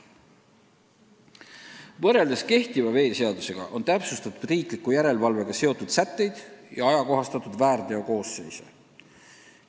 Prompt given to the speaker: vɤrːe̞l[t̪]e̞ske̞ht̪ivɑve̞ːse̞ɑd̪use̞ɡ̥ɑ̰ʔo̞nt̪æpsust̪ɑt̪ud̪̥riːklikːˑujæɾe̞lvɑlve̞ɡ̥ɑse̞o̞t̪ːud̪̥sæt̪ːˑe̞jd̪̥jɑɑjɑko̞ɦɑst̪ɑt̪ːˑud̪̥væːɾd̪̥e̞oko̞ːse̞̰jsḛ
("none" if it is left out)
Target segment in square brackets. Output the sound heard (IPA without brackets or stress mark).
d̪